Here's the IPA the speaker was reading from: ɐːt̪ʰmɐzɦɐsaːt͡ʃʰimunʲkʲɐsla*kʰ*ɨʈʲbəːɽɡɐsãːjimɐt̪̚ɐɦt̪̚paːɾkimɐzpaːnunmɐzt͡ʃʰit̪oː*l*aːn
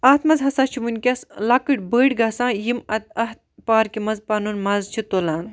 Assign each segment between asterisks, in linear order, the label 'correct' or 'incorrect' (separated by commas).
incorrect, correct